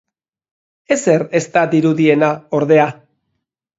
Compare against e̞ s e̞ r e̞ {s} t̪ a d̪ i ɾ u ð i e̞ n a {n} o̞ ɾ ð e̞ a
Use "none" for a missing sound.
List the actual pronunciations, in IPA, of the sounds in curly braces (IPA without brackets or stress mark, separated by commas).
s, none